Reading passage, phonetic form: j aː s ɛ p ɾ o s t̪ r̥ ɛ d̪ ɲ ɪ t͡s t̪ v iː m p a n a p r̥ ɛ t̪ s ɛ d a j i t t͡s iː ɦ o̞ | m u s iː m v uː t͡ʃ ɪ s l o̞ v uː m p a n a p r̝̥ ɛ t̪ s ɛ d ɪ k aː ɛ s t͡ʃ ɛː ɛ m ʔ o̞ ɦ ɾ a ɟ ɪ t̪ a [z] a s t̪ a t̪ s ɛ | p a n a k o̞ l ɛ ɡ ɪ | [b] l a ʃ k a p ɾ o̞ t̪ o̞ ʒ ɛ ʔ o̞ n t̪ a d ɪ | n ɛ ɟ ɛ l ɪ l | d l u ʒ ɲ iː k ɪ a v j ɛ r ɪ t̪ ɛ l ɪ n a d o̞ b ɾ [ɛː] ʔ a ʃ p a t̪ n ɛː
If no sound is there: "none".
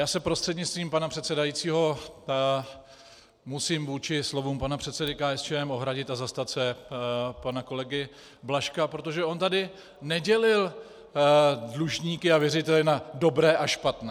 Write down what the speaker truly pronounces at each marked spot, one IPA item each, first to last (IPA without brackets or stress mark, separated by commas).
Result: z, b, ɛː